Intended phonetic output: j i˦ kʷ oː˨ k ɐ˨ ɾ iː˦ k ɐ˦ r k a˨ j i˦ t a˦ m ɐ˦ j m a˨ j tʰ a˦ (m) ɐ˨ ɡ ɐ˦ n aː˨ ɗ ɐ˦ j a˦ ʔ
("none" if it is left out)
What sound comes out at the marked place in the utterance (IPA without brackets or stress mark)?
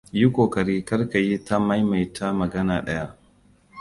m